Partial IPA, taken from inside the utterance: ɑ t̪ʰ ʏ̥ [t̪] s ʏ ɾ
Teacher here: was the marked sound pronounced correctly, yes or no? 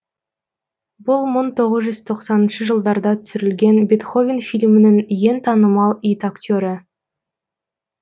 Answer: no